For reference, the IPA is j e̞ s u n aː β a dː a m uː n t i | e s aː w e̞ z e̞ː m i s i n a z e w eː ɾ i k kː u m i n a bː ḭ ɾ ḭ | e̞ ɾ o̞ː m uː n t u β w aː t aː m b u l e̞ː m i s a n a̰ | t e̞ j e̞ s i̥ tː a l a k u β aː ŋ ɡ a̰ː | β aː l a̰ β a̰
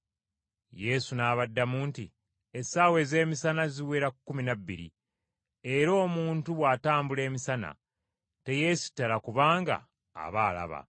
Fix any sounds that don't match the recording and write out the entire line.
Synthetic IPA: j e̞ s u n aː β a dː a m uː n t i | e s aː w e̞ z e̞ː m i s a n a z i w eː ɾ a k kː u m i n a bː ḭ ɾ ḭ | e̞ ɾ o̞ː m uː n t u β w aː t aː m b u l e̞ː m i s a n a̰ | t e̞ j e̞ s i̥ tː a l a k u β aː ŋ ɡ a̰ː | β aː l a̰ β a̰